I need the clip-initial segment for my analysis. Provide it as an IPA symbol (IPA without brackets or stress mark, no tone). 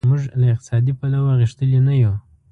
m